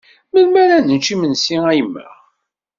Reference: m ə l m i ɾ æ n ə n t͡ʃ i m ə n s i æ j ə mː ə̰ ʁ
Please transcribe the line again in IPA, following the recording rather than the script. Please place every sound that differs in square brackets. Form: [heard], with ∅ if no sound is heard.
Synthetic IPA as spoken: m ə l m [æ] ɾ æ n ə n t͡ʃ i m ə n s i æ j ə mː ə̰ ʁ